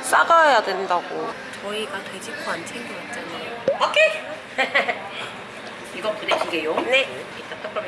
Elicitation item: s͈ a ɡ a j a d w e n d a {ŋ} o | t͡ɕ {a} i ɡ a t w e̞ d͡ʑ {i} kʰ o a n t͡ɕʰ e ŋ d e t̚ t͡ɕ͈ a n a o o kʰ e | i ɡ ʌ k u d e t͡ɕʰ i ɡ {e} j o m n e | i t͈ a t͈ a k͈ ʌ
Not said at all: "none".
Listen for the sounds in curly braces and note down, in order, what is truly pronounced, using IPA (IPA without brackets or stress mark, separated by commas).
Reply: ɡ, ʌ, i, e